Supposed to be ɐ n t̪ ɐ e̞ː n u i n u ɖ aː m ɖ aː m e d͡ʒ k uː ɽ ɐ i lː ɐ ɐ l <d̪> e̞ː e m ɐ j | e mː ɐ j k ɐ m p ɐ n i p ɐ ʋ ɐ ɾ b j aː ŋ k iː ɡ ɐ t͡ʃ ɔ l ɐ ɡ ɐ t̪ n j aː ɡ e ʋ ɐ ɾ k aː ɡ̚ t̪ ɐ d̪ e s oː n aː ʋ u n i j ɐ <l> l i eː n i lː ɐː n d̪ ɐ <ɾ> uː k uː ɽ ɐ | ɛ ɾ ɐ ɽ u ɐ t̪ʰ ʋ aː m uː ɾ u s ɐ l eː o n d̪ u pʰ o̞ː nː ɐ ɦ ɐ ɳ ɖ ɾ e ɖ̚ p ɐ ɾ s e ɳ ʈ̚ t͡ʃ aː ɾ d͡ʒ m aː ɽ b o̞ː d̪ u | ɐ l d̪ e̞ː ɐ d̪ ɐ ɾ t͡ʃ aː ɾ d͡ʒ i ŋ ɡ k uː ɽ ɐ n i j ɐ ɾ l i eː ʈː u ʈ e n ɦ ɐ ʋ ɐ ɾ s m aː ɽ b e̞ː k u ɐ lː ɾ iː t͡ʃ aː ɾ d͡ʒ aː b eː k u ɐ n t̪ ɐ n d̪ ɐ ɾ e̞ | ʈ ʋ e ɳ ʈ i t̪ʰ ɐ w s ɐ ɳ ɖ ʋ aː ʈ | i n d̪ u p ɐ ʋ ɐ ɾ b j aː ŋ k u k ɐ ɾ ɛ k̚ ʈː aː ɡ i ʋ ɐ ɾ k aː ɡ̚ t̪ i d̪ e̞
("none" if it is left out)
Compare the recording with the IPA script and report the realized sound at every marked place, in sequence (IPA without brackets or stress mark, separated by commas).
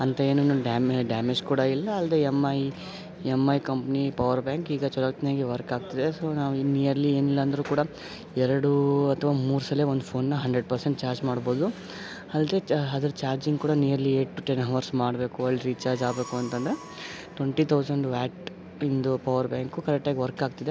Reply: d̪, ɾ, ɾ